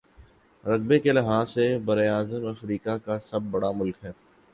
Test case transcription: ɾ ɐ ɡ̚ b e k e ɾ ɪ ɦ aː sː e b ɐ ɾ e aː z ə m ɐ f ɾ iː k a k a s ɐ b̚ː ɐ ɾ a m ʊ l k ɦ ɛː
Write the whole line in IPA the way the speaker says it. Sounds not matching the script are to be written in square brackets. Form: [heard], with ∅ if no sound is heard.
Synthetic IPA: ɾ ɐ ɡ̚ b e k e [l] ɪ ɦ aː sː e b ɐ ɾ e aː z ə m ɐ f ɾ iː k a k a s ɐ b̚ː ɐ [ɽ] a m ʊ l k ɦ ɛː